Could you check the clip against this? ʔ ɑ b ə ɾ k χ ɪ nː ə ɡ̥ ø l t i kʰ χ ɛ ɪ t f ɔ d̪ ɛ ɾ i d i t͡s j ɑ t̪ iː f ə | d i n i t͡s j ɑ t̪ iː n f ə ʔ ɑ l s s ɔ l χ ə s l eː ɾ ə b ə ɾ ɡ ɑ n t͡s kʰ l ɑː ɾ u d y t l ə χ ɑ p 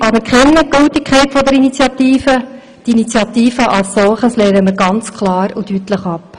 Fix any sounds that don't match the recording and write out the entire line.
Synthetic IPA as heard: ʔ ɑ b ə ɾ k χ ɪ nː ə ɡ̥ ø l t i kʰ χ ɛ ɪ t f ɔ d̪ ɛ ɾ i n i t͡s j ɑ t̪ iː f ə | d i n i t͡s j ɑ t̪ iː f ə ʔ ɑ l s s ɔ l χ ə s l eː ɾ ə m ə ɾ ɡ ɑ n t͡s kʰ l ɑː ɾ u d y t l ə χ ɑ p